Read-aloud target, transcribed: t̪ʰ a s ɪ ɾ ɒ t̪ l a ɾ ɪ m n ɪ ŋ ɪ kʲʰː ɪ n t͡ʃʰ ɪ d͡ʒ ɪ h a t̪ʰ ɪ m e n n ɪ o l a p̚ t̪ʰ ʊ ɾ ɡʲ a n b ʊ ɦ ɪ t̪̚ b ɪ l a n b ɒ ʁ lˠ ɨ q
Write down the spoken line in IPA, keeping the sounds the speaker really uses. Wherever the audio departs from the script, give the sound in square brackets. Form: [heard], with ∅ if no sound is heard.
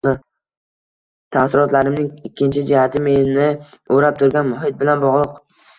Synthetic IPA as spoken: t̪ʰ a s ɪ ɾ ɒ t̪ l a ɾ ɪ m n ɪ ŋ ɪ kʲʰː ɪ n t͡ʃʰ ɪ d͡ʒ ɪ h a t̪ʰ ɪ m e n n ɪ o [ɾ] a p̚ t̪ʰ ʊ ɾ ɡʲ a n [m] ʊ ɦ ɪ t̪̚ b ɪ l a n b ɒ ʁ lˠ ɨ q

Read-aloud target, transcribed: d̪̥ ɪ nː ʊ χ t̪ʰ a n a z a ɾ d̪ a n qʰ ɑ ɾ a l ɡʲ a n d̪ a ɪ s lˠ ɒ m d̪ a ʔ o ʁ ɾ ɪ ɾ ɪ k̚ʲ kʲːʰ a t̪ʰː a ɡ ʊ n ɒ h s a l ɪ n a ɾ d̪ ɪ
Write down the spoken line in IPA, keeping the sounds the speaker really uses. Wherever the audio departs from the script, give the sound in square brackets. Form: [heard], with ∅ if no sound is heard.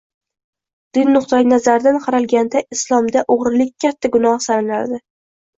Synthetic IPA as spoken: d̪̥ ɪ nː ʊ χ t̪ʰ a n a z a ɾ d̪ a n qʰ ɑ ɾ a l ɡʲ a n d̪ a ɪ s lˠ ɒ m d̪ a ʔ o ʁ ɾ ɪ [l] ɪ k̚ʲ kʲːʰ a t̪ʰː a ɡ ʊ n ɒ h s a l ɪ n a ɾ d̪ ɪ

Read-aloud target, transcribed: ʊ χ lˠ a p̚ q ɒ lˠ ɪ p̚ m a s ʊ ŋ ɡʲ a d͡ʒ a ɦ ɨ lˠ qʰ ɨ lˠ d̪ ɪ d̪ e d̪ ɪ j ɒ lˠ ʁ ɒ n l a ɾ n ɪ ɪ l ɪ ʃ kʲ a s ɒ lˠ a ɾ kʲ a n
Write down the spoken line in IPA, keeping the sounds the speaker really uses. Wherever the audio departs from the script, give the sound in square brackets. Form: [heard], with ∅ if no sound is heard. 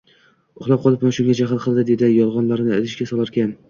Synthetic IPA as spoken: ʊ χ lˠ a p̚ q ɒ lˠ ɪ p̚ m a [ʃ] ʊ ŋ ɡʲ a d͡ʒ a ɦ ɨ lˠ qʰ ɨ lˠ d̪ ɪ d̪ e d̪ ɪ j ɒ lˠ ʁ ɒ n l a ɾ n ɪ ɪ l ɪ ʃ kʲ a s ɒ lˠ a ɾ kʲ a n

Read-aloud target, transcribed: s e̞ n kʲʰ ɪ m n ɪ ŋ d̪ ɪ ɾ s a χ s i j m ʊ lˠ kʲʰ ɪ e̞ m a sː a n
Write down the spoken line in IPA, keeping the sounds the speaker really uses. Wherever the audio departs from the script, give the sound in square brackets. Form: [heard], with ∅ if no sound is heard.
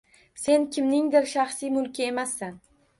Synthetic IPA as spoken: s e̞ n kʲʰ ɪ m n ɪ ŋ d̪ ɪ ɾ [ʃ] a χ s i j m ʊ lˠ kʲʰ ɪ e̞ m a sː a n

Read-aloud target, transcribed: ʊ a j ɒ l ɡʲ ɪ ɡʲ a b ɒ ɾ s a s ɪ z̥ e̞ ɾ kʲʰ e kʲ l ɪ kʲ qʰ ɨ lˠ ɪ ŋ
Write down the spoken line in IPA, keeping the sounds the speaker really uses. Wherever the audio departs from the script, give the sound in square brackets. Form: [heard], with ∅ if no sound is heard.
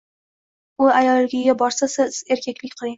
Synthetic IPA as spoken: ʊ a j ɒ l ɡʲ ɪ ɡʲ a b ɒ ɾ s a s ɪ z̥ e̞ ɾ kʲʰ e kʲ l ɪ kʲ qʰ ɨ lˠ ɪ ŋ

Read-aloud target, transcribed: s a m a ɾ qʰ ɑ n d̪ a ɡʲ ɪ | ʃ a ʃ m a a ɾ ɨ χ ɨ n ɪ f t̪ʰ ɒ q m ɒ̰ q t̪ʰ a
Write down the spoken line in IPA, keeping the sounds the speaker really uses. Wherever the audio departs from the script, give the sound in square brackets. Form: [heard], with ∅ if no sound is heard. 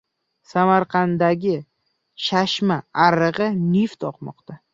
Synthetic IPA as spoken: s a m a ɾ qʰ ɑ n d̪ a ɡʲ ɪ | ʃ a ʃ m a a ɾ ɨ [ʁ] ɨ n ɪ f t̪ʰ ɒ q m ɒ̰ q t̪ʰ a

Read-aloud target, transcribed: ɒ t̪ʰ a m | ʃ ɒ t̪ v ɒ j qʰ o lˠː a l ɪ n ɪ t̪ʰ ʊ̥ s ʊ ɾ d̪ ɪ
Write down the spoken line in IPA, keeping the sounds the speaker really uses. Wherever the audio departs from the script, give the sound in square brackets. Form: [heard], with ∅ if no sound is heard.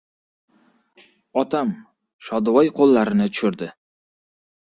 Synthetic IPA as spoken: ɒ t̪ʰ a m | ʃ ɒ [d̪] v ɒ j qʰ o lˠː a [ɾ] ɪ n ɪ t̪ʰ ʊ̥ [ʃ] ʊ ɾ d̪ ɪ

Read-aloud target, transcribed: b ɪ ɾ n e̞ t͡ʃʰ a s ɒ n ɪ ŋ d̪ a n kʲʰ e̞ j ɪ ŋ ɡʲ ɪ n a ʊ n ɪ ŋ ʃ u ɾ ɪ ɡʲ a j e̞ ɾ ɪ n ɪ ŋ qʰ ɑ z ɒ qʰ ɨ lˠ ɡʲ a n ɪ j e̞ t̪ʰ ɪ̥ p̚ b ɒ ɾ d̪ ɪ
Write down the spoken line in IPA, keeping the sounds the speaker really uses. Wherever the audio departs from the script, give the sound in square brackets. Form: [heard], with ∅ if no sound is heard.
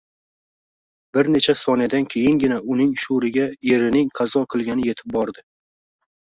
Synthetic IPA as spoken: b ɪ ɾ n e̞ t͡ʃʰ a s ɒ n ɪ [∅] d̪ a n kʲʰ e̞ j ɪ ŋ ɡʲ ɪ n a ʊ n ɪ ŋ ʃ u ɾ ɪ ɡʲ a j e̞ ɾ ɪ n ɪ ŋ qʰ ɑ z ɒ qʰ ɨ lˠ ɡʲ a n ɪ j e̞ t̪ʰ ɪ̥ p̚ b ɒ ɾ d̪ ɪ

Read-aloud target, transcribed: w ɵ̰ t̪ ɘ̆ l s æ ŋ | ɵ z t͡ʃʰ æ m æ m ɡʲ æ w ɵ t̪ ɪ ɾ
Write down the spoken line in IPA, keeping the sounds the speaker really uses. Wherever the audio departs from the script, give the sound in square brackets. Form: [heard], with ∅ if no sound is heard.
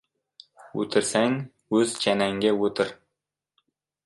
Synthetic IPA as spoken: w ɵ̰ t̪ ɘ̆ [ɾ] s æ ŋ | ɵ z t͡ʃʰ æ [n] æ [ŋ] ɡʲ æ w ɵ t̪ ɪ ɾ

